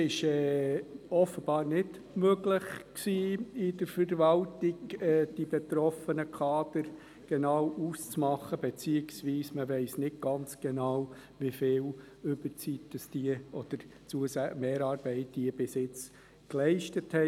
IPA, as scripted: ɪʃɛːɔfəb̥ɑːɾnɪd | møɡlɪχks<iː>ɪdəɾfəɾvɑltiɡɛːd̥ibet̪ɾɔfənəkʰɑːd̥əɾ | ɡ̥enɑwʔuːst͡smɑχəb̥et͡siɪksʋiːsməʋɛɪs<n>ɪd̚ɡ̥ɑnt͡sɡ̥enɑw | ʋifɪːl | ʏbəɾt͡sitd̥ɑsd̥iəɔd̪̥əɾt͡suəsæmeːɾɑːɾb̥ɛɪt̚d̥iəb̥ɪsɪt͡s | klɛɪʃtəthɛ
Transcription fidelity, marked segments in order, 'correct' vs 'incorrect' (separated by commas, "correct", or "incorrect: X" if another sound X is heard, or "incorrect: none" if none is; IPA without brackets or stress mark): correct, correct